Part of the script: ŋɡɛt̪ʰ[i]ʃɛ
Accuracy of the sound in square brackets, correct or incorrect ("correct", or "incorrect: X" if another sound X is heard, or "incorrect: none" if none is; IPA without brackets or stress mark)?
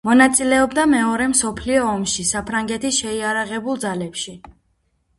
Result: correct